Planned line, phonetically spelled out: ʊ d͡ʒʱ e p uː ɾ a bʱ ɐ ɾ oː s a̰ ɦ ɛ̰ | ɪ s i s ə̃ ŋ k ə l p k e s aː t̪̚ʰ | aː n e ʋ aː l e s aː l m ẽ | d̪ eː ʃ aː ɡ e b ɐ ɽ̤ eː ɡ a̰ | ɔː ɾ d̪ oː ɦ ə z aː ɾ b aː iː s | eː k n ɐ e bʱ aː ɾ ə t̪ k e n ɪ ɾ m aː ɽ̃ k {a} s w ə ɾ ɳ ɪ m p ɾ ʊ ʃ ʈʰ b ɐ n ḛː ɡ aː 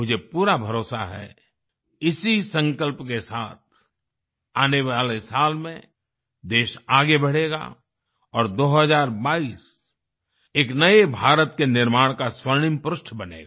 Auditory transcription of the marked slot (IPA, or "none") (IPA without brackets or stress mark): a